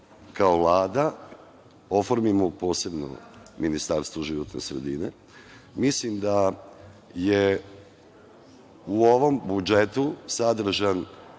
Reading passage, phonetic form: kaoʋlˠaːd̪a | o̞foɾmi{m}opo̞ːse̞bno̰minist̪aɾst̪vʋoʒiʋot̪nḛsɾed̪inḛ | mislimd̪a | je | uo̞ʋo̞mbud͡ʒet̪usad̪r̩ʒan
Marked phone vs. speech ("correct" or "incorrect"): correct